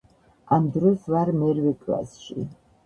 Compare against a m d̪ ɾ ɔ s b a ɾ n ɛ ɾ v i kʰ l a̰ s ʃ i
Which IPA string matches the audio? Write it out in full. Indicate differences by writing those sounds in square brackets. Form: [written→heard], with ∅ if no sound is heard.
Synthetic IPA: a m d̪ ɾ ɔ s [b→v] a ɾ [n→m] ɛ ɾ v [i→ɛ] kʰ l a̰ s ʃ i

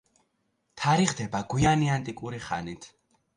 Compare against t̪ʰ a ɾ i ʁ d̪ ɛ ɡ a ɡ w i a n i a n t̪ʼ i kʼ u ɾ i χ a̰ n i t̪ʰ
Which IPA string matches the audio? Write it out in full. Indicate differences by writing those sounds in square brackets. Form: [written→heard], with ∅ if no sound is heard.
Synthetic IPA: t̪ʰ a ɾ i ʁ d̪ ɛ [ɡ→b] a ɡ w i a n i a n t̪ʼ i kʼ u ɾ i χ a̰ n i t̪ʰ

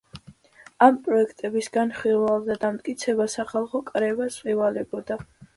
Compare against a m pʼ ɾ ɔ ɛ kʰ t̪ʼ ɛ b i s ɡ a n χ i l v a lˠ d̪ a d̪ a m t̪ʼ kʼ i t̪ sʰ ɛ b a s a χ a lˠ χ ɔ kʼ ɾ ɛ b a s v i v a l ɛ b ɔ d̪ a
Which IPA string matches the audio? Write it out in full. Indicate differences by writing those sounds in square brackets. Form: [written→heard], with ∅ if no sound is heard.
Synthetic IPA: a m pʼ ɾ ɔ ɛ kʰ t̪ʼ ɛ b i s ɡ a n χ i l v a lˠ d̪ a d̪ a m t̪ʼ kʼ i t̪ sʰ ɛ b a s a χ a lˠ χ ɔ kʼ ɾ ɛ [b→v] a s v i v a l ɛ b ɔ d̪ a

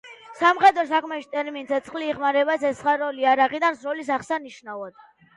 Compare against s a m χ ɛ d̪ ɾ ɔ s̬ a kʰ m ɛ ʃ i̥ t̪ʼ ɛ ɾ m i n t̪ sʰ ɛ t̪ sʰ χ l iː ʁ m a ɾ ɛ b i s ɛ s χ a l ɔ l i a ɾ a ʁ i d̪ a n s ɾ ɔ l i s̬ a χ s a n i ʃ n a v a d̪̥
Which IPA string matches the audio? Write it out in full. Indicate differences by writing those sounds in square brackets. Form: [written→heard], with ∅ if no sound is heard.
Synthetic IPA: s a m χ ɛ d̪ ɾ ɔ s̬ a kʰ m ɛ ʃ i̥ t̪ʼ ɛ ɾ m i n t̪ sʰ ɛ t̪ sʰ χ l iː ʁ m a ɾ ɛ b [i→a] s ɛ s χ a [l→ɾ] ɔ l i a ɾ a ʁ i d̪ a n s ɾ ɔ l i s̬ a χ s a n i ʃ n a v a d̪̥

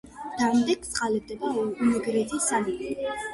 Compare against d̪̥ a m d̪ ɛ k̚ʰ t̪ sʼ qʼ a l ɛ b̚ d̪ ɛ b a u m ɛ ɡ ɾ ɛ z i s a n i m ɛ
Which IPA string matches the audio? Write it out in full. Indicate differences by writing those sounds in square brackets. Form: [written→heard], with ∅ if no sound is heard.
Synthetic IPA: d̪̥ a m d̪ ɛ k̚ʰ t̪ sʼ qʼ a l ɛ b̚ d̪ ɛ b a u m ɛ ɡ ɾ ɛ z i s a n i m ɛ

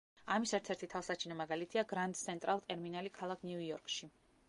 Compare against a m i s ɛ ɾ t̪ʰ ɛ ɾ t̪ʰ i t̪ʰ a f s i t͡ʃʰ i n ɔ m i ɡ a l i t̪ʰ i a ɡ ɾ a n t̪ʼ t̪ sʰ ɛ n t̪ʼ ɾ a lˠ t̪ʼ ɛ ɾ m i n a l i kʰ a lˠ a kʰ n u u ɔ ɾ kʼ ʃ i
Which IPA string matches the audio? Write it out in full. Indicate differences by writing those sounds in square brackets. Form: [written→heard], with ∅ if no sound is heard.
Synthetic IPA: a m i s ɛ ɾ t̪ʰ ɛ ɾ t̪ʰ i t̪ʰ a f s [i→a] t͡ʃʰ i n ɔ m [i→a] ɡ a l i t̪ʰ i a ɡ ɾ a n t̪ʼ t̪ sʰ ɛ n t̪ʼ ɾ a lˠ t̪ʼ ɛ ɾ m i n a l i kʰ a lˠ a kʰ n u u ɔ ɾ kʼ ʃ i

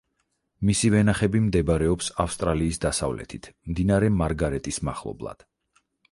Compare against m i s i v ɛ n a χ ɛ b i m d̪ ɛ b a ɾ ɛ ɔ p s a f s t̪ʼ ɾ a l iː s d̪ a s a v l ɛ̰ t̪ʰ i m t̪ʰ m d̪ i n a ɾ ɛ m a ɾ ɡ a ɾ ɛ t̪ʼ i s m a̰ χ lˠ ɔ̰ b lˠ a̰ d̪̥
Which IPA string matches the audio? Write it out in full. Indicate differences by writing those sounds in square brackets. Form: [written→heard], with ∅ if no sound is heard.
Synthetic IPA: m i s i v ɛ n a χ ɛ b i m d̪ ɛ b a ɾ ɛ ɔ p s a f s t̪ʼ ɾ a l iː s d̪ a s a v l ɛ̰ t̪ʰ i [m→∅] t̪ʰ m d̪ i n a ɾ ɛ m a ɾ ɡ a ɾ ɛ t̪ʼ i s m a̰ χ lˠ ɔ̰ b lˠ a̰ d̪̥

